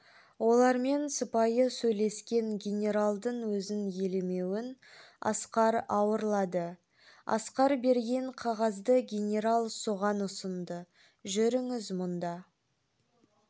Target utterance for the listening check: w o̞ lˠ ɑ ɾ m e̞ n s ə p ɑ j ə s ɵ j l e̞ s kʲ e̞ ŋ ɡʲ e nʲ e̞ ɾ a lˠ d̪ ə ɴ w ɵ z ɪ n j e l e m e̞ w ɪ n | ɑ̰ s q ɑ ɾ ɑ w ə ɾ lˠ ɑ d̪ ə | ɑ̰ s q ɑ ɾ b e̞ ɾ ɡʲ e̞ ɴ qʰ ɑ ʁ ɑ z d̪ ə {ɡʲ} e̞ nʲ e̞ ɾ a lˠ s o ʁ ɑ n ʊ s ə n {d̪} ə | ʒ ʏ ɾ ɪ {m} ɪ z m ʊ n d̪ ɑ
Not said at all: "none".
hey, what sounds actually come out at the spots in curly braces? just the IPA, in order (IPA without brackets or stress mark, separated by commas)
ɡʲ, d̪, ŋ